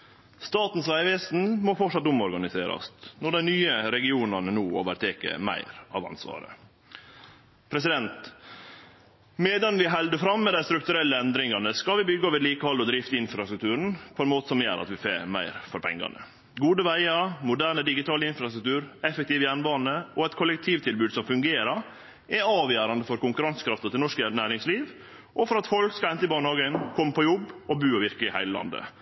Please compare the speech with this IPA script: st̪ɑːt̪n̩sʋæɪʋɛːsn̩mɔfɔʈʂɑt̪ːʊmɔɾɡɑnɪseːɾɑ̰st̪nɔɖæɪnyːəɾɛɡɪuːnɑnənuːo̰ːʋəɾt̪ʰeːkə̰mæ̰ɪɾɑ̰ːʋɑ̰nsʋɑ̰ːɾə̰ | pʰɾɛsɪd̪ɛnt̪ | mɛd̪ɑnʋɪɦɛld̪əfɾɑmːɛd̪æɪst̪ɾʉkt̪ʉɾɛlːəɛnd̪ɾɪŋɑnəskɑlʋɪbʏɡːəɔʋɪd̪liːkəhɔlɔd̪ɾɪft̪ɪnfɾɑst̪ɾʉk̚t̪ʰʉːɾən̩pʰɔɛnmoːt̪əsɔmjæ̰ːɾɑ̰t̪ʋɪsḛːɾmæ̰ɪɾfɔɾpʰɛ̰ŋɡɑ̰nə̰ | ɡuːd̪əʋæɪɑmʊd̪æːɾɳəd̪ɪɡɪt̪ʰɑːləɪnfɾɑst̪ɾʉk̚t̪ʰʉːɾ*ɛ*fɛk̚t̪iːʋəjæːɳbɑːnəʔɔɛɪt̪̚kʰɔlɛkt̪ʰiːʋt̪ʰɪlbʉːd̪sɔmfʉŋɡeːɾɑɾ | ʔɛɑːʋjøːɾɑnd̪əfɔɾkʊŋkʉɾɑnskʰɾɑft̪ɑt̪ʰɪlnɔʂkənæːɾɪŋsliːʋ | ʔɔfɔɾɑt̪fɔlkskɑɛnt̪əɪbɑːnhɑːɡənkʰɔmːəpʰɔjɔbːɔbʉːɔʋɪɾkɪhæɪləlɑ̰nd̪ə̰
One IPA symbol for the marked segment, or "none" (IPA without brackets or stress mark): ɛ